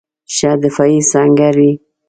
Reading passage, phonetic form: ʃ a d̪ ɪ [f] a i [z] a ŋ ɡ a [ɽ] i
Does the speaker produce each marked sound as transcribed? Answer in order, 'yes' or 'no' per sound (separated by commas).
yes, no, no